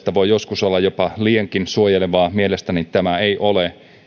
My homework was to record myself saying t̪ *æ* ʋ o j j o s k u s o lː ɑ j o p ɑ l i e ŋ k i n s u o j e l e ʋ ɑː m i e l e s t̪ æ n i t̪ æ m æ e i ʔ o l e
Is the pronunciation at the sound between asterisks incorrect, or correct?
correct